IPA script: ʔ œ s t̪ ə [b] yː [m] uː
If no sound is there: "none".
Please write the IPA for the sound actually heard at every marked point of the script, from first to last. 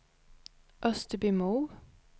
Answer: b, m

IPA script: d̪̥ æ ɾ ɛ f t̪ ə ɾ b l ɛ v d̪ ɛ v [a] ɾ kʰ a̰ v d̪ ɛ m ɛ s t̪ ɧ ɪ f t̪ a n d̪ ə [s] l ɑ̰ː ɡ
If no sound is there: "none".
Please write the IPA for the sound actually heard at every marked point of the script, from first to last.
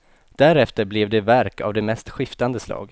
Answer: æ, s

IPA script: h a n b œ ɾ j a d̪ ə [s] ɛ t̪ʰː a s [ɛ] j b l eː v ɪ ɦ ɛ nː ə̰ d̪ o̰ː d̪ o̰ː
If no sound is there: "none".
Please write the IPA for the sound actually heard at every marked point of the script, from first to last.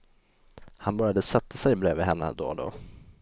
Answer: s, ɛ

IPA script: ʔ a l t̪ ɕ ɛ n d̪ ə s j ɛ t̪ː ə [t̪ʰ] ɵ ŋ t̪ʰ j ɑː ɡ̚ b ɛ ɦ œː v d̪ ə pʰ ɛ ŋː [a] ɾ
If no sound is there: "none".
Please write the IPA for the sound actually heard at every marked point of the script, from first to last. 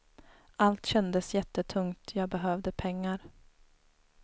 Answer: t̪ʰ, a

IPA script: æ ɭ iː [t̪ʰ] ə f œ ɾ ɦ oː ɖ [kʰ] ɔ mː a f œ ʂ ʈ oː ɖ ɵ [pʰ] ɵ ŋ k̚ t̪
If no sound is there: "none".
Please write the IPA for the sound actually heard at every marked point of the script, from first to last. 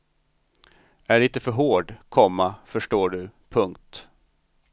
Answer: t̪, kʰ, pʰ

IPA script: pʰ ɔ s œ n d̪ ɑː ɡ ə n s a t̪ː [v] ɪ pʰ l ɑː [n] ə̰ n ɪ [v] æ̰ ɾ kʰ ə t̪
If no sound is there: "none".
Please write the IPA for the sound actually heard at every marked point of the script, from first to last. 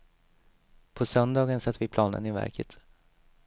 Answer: v, n, v

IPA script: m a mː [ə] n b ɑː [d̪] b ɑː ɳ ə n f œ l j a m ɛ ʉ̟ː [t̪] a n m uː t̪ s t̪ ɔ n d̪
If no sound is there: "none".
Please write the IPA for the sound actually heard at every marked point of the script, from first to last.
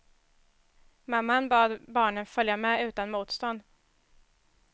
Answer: a, d̪, t̪

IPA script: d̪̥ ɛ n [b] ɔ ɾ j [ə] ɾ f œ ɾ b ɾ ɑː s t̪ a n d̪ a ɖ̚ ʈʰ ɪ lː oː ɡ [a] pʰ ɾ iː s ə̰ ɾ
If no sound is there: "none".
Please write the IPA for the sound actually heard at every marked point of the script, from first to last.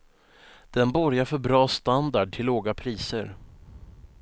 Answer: b, a, a

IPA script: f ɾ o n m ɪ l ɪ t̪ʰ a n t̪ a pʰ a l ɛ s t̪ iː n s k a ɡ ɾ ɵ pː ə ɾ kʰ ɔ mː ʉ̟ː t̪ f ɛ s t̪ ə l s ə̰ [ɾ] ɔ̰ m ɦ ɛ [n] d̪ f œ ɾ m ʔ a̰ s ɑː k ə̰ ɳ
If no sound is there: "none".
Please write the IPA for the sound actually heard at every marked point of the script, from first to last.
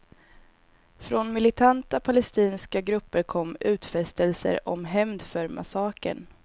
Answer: ɾ, m

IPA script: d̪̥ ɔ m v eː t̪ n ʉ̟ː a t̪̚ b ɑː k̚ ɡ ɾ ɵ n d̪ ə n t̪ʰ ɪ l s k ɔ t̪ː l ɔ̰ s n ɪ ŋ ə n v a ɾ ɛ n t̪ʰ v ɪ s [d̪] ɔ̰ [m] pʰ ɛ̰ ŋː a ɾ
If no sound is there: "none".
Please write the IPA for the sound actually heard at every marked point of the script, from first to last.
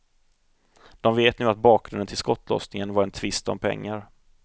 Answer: t̪, m

